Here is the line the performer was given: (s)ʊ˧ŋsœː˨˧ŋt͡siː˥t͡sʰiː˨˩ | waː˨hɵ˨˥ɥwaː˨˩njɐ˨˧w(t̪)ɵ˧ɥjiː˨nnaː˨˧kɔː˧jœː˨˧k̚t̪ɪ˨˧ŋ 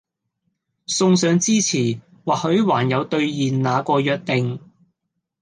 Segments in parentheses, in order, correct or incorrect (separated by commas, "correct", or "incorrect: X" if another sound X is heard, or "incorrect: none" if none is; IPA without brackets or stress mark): correct, correct